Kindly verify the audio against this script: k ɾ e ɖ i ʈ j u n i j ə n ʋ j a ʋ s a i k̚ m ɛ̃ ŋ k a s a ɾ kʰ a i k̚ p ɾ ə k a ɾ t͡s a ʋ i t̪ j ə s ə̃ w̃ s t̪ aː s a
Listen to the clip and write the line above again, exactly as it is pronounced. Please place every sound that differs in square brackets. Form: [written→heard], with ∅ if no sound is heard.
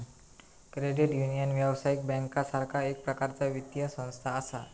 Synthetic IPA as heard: k ɾ e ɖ i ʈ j u n i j ə n ʋ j a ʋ s a i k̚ [m→b] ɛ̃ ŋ k a s a ɾ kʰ a [i→e] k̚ p ɾ ə k a ɾ t͡s a ʋ i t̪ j ə s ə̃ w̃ s [t̪→t̪ʰ] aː s a